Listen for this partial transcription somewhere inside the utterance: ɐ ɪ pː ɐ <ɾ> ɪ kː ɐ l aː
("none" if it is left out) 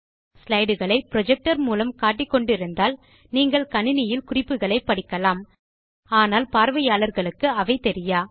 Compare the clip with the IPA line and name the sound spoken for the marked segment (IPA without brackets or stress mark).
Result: ɽ